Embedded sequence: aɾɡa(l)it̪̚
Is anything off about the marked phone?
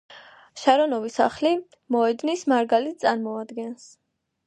no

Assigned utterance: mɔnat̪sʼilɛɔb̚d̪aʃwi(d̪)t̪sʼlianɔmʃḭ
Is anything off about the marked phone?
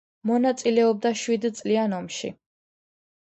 no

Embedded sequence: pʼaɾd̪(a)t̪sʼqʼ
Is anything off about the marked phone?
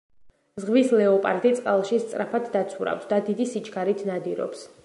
yes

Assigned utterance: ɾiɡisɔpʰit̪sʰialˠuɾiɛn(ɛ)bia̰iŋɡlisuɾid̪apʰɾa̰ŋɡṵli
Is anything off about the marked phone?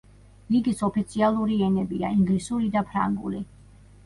no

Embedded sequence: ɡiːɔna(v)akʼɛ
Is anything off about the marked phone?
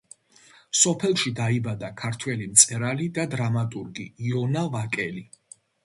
no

